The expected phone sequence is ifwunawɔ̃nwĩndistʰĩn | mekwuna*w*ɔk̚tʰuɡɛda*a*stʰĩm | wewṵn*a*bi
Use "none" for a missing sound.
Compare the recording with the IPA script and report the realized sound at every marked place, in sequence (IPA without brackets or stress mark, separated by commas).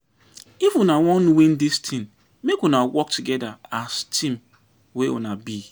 w, a, a